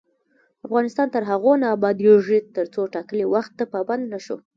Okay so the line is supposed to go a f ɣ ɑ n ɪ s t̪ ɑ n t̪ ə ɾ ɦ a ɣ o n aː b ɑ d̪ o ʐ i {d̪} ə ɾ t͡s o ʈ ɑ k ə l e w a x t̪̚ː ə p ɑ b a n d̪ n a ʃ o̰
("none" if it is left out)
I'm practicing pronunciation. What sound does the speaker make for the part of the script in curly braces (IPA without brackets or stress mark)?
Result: t̪